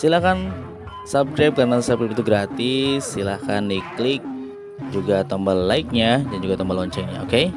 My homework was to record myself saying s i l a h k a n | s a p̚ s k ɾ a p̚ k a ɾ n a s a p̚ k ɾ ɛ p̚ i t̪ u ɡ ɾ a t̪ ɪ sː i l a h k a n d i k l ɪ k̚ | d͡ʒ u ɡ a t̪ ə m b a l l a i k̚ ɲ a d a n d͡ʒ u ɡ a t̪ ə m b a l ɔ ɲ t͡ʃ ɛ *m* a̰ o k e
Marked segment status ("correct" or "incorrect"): incorrect